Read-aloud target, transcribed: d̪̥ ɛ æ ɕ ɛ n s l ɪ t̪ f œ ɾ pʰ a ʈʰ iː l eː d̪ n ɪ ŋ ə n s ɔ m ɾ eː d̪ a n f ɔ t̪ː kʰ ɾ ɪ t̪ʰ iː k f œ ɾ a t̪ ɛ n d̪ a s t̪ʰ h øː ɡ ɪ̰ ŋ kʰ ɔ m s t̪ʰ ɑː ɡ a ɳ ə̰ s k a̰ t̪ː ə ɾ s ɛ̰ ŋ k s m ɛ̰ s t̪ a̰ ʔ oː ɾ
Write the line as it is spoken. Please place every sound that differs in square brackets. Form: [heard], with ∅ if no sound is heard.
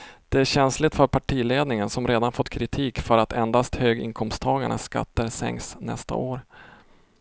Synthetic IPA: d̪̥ ɛ æ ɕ ɛ n s l ɪ t̪ f œ ɾ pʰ a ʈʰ iː l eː d̪ n ɪ ŋ ə n s ɔ m ɾ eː d̪ a n f ɔ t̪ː kʰ ɾ ɪ t̪ʰ iː k f œ ɾ a t̪ ɛ n d̪ a s [t̪] h øː ɡ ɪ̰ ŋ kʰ ɔ m s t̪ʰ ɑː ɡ a ɳ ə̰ s k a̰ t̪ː ə ɾ s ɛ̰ ŋ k s [n] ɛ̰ s t̪ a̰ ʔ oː ɾ